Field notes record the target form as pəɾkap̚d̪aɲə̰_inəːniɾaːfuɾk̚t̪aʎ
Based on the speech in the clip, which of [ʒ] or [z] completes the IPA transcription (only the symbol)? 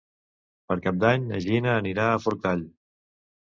ʒ